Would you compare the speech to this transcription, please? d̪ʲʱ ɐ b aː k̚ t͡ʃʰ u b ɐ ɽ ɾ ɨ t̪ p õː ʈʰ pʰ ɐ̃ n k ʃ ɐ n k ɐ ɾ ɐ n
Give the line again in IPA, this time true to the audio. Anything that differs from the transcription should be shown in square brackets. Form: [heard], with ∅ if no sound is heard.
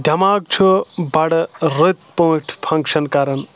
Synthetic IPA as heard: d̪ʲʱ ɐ [m] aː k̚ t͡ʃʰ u b ɐ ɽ ɾ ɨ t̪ p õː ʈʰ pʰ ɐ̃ [ŋ] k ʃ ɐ n k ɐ ɾ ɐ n